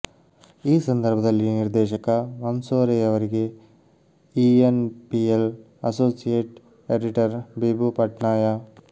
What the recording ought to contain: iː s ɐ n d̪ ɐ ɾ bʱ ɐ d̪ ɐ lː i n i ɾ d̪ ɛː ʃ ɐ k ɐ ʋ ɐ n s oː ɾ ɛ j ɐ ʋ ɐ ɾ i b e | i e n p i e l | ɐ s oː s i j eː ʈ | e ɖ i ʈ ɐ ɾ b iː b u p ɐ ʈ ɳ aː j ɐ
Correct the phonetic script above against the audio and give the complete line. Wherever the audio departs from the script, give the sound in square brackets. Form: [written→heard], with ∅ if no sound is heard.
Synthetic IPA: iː s ɐ n d̪ ɐ ɾ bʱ ɐ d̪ ɐ lː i n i ɾ d̪ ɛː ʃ ɐ k ɐ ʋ ɐ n s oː ɾ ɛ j ɐ ʋ ɐ ɾ i [b→ɡ] e | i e n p i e l | ɐ s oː s i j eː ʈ | e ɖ i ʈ ɐ ɾ b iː b u p ɐ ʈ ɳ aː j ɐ

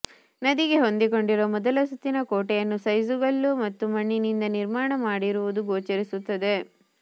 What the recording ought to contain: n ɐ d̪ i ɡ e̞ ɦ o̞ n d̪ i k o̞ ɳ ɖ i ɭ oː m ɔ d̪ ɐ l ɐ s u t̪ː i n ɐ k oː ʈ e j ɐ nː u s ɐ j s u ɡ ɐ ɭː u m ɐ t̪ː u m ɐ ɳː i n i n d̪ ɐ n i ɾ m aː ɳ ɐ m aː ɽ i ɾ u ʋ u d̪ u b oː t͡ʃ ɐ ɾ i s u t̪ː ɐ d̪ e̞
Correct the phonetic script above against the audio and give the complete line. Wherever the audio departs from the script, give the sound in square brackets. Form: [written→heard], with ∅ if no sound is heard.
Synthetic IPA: n ɐ d̪ i ɡ e̞ ɦ o̞ n d̪ i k o̞ ɳ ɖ i [ɭ→ɾ] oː m ɔ d̪ ɐ l ɐ s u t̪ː i n ɐ k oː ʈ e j ɐ nː u s ɐ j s u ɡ ɐ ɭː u m ɐ t̪ː u m ɐ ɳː i n i n d̪ ɐ n i ɾ m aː ɳ ɐ m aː ɽ i ɾ u ʋ u d̪ u [b→ɡ] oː t͡ʃ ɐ ɾ i s u t̪ː ɐ d̪ e̞

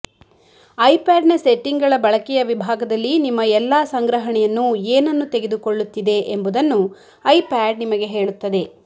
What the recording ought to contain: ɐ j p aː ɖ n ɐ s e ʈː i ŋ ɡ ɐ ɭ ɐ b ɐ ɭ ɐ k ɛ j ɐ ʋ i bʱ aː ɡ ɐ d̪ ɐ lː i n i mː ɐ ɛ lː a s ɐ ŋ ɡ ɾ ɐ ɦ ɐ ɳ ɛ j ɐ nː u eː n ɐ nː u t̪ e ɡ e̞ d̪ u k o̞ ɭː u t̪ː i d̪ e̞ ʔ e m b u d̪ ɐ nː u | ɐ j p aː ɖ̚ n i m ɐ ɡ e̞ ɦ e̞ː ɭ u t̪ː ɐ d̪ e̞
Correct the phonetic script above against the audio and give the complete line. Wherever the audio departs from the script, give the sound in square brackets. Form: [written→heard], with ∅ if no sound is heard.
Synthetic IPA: ɐ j p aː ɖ n ɐ s e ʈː i ŋ ɡ ɐ ɭ ɐ b ɐ ɭ ɐ k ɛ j ɐ ʋ i bʱ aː ɡ ɐ d̪ ɐ lː i n i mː ɐ ɛ lː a s ɐ ŋ ɡ ɾ ɐ ɦ ɐ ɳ ɛ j ɐ nː u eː n ɐ nː u t̪ e ɡ e̞ d̪ u k o̞ ɭː u t̪ː i d̪ e̞ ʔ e m b u d̪ ɐ nː u | ɐ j p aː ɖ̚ n i m ɐ ɡ e̞ ɦ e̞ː ɭ u t̪ː ɐ d̪ e̞

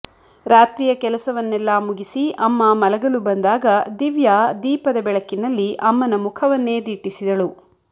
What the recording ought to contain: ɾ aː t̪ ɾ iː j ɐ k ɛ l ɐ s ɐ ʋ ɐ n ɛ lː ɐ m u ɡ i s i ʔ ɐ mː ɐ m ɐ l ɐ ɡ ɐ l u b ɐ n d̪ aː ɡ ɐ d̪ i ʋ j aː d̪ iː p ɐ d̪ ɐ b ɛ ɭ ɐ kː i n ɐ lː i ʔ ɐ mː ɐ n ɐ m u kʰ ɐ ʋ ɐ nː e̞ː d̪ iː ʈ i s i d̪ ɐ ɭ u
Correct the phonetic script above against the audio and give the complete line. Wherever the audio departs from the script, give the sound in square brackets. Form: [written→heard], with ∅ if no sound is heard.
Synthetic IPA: ɾ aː t̪ ɾ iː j ɐ k ɛ l ɐ s ɐ ʋ ɐ [n→nː] ɛ lː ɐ m u ɡ i s i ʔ ɐ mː ɐ m ɐ l ɐ ɡ ɐ l u b ɐ n d̪ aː ɡ ɐ d̪ i ʋ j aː d̪ iː p ɐ d̪ ɐ b ɛ ɭ ɐ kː i n ɐ lː i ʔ ɐ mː ɐ n ɐ m u kʰ ɐ ʋ ɐ nː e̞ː d̪ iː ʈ i s i d̪ ɐ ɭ u

